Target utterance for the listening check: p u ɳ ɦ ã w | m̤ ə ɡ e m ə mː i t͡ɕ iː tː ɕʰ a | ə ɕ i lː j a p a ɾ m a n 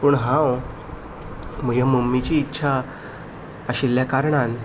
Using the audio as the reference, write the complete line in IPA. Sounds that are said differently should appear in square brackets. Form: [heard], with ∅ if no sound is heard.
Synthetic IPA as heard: p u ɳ ɦ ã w | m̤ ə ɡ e m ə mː i t͡ɕ iː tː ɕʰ a | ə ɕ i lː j a [k] a ɾ [ɳ] a n

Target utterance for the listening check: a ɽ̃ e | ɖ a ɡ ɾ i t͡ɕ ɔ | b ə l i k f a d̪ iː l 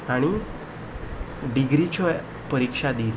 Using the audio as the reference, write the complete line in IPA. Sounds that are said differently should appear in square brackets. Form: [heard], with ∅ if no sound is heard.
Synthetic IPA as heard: a ɽ̃ [i] | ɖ [i] ɡ ɾ i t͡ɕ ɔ | [p] ə [ɾ] i k [ʂ] a d̪ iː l

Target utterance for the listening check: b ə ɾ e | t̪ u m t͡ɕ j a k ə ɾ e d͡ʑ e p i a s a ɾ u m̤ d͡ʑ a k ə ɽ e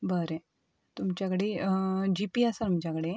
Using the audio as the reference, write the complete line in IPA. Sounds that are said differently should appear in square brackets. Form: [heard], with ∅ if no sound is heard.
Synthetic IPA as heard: b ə ɾ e | t̪ u m t͡ɕ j a k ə [ɽ] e d͡ʑ [i] p i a s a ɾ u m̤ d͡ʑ a k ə ɽ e

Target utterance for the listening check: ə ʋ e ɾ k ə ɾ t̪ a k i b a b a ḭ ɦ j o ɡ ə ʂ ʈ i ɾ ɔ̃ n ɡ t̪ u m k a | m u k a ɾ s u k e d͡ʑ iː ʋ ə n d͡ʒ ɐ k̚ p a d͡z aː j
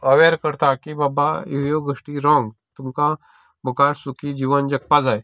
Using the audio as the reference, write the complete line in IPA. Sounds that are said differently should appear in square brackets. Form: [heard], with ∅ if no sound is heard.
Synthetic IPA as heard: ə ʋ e ɾ k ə ɾ t̪ a k i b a b a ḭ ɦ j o ɡ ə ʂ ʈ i ɾ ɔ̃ [ŋ] ɡ t̪ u m k a | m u k a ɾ s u k [i] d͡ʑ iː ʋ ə n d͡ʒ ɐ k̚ p a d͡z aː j

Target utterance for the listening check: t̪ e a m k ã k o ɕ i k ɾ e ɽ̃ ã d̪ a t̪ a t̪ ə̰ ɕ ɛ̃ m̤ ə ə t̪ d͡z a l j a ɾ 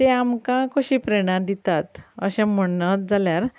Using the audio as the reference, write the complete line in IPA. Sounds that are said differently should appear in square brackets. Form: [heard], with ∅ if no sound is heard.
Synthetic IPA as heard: t̪ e a m k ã k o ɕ i [p] ɾ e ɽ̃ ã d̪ [i] t̪ a t̪ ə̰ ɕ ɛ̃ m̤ ə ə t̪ d͡z a l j a ɾ

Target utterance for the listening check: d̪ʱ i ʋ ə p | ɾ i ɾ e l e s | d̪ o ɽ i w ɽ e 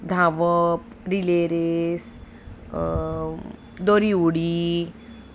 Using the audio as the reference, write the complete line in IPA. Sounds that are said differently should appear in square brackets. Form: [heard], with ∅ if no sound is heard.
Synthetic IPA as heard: d̪ʱ [a] ʋ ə p | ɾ i [l] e [ɾ] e s | d̪ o [ɾ] i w ɽ [i]

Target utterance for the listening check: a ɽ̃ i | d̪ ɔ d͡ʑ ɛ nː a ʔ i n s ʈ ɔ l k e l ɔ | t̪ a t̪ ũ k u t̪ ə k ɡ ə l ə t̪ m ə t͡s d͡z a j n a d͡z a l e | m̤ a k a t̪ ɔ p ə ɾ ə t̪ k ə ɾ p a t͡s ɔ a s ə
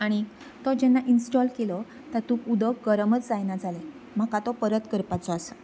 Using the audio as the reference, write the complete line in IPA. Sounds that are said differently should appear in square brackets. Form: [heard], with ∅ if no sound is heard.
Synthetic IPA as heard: a ɽ̃ i | [t̪] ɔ d͡ʑ ɛ nː a ʔ i n s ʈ ɔ l k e l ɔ | t̪ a t̪ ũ k u [d̪] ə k ɡ ə [ɾ] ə [∅] m ə t͡s d͡z a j n a d͡z a l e | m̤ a k a t̪ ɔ p ə ɾ ə t̪ k ə ɾ p a t͡s ɔ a s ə

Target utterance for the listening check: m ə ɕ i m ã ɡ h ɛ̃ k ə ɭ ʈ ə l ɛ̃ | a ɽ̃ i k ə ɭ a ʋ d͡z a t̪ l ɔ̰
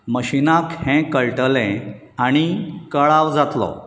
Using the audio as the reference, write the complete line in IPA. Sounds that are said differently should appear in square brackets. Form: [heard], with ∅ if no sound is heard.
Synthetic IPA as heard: m ə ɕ i [n] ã [k] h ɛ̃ k ə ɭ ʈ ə l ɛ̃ | a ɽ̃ i k ə ɭ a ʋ d͡z a t̪ l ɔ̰

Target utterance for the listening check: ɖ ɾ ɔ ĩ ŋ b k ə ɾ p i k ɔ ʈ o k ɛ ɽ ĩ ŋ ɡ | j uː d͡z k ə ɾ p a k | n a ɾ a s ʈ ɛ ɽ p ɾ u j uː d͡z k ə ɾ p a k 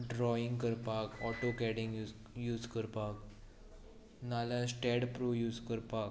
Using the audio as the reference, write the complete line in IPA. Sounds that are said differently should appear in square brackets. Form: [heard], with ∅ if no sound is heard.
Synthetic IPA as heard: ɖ ɾ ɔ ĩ ŋ [ɡ] k ə ɾ p [a] k ɔ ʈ o k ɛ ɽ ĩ ŋ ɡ | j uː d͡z k ə ɾ p a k | n a [l] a s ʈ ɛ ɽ p ɾ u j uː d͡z k ə ɾ p a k

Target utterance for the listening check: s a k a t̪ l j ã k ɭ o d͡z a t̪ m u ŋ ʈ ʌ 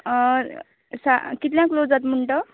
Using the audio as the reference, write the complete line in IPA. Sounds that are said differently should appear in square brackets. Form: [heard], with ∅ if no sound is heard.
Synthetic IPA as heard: s a k [i] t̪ l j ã k [l] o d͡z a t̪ m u [ɳ] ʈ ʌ

